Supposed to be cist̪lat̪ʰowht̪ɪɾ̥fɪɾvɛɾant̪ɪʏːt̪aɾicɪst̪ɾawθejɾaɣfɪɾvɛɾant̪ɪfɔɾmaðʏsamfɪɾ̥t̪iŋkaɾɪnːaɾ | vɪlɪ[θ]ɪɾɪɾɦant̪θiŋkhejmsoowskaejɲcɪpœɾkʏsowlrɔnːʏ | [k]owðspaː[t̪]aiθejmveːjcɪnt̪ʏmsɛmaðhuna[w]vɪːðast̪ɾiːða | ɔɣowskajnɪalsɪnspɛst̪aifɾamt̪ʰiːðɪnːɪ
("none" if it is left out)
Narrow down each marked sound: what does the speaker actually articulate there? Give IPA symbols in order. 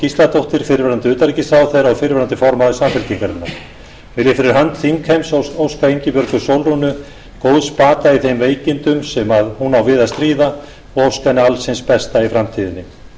f, k, t̪, w

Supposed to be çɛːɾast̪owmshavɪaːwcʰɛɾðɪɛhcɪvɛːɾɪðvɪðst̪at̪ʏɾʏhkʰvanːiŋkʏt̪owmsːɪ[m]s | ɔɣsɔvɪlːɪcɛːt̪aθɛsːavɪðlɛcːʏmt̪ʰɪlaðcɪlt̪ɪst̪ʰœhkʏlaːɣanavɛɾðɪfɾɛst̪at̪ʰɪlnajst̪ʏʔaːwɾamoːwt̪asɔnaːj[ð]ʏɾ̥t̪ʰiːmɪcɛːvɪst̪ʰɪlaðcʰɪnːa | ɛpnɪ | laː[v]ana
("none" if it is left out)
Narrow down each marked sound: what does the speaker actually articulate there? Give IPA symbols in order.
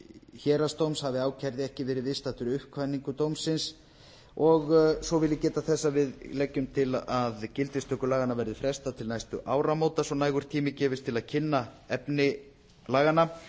n, ɣ, ɣ

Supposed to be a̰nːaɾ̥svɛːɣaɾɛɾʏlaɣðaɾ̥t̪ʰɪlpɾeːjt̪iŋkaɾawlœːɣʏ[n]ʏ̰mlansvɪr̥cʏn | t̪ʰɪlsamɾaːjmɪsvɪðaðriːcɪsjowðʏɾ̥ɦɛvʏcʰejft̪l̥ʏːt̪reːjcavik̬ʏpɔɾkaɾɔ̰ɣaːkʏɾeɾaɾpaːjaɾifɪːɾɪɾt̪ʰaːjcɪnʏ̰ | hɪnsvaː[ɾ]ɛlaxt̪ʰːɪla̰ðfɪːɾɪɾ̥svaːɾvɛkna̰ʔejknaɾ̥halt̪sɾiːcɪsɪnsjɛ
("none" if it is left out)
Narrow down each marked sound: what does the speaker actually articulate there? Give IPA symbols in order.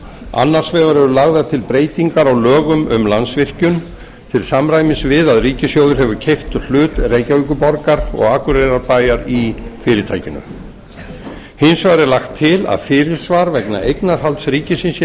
m, ɾ

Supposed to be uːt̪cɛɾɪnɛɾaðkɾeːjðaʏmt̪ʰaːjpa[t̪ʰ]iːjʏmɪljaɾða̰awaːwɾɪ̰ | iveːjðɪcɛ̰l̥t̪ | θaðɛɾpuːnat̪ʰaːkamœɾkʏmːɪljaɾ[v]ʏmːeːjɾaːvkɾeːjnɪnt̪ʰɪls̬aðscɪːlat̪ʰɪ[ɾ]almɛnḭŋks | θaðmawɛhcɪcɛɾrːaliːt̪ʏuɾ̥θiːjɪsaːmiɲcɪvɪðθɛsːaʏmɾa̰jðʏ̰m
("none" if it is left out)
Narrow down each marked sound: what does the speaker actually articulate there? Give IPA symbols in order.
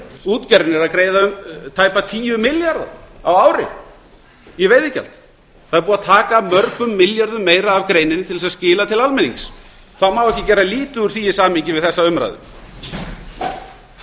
t̪ʰ, ð, l

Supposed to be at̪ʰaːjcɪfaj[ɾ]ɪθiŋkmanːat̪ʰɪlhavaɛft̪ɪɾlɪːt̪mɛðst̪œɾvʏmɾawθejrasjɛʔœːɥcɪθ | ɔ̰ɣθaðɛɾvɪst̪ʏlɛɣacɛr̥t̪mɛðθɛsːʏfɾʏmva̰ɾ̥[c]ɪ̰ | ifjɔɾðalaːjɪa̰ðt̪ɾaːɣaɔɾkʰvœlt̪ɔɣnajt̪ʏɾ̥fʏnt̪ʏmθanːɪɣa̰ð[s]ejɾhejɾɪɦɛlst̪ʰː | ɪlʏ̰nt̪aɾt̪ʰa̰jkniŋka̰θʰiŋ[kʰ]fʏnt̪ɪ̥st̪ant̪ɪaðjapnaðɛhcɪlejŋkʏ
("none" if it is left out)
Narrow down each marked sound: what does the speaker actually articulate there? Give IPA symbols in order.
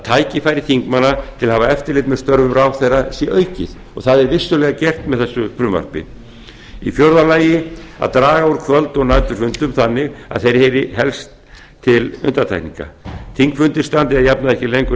ɾ, p, θ, k

